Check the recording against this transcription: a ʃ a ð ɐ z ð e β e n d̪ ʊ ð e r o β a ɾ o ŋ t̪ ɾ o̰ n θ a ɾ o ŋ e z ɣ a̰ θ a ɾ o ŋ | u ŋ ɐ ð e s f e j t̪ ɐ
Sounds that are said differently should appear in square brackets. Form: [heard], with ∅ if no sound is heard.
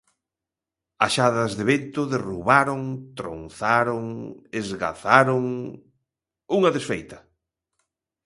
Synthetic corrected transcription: a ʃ a ð ɐ z ð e β e n [t̪] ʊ ð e r [u] β a ɾ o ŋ t̪ ɾ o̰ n θ a ɾ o ŋ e z ɣ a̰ θ a ɾ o ŋ | u ŋ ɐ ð e s f e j t̪ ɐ